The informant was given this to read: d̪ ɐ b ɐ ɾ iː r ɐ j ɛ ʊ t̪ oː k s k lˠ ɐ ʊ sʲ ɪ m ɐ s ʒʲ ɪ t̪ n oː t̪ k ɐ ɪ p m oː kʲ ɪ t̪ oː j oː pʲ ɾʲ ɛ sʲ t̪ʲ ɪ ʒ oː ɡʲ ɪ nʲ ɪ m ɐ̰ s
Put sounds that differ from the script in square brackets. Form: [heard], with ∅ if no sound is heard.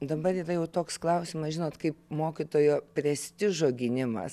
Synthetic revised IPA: d̪ ɐ b ɐ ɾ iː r ɐ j ɛ ʊ t̪ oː k s k lˠ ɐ ʊ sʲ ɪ m ɐ s ʒʲ ɪ [∅] n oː t̪ k ɐ ɪ p m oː kʲ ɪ t̪ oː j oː pʲ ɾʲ ɛ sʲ t̪ʲ ɪ ʒ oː ɡʲ ɪ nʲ ɪ m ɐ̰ s